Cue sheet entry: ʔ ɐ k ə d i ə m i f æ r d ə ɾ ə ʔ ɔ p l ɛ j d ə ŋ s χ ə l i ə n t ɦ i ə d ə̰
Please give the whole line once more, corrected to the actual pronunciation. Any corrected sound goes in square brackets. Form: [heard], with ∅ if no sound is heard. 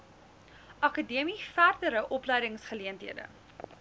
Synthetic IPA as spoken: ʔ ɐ k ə d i ə m i f æ r d ə ɾ ə ʔ ɔ p l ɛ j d ə ŋ s χ ə l i ə n t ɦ i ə d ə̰